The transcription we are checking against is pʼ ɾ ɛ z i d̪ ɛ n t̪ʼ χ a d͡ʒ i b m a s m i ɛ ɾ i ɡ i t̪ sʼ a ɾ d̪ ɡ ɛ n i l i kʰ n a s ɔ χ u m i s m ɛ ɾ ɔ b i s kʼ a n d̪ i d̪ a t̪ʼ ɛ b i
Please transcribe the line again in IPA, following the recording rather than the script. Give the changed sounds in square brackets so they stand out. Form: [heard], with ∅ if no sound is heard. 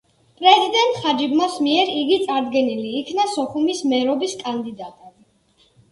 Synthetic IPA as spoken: pʼ ɾ ɛ z i d̪ ɛ n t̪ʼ χ a d͡ʒ i b m a s m i ɛ ɾ i ɡ i t̪ sʼ a ɾ d̪ ɡ ɛ n i l [iː] kʰ n a s ɔ χ u m i s m ɛ ɾ ɔ b i s kʼ a n d̪ i d̪ a t̪ʼ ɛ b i

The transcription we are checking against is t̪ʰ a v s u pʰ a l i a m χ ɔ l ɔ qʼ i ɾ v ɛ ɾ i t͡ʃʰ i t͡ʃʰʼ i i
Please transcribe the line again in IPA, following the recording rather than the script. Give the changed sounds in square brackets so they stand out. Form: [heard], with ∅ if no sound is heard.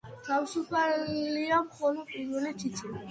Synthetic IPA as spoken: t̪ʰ a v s u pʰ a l i a m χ ɔ l ɔ [pʼ] i ɾ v ɛ [l] i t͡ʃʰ i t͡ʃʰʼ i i

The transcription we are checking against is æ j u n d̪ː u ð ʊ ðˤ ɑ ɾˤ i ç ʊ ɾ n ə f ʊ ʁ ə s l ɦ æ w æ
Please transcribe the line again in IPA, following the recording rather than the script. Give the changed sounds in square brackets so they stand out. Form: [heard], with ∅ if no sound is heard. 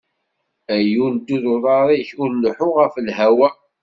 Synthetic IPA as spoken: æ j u n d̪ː u ð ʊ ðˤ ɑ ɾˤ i ç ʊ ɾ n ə [ħ] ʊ ʁ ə [f] l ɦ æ w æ

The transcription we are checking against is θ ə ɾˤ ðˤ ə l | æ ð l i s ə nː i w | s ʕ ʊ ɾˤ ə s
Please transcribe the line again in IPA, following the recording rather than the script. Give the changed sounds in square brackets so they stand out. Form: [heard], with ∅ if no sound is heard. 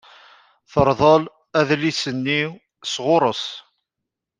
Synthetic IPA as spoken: θ ə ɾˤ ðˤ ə l | æ ð l i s ə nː i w | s [ʁ] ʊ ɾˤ ə s

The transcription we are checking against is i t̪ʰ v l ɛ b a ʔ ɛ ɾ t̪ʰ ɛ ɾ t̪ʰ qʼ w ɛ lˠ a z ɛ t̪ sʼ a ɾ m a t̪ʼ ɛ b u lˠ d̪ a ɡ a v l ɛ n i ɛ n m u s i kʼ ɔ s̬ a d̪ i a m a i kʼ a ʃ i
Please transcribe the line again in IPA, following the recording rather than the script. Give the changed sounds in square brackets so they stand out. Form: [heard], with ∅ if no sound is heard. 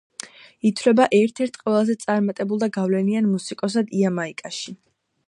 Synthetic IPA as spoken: i t̪ʰ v l ɛ b a ʔ ɛ ɾ t̪ʰ ɛ ɾ t̪ʰ qʼ w ɛ lˠ a z ɛ t̪ sʼ a ɾ m a t̪ʼ ɛ b u lˠ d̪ a ɡ a v l ɛ n i [a] n m u s i kʼ ɔ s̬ a d̪ i a m a i kʼ a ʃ i

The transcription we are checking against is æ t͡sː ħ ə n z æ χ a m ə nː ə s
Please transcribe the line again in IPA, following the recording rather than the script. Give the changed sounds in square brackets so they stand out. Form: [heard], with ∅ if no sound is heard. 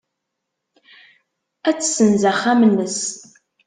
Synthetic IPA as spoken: æ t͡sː [s] ə n z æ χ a m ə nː ə s

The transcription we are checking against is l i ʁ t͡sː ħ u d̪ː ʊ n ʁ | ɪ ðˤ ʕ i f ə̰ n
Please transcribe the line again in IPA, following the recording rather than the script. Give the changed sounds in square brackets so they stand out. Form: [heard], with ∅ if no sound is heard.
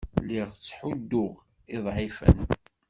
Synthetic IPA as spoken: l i ʁ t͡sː ħ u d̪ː ʊ [∅] ʁ | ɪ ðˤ ʕ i f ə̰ n

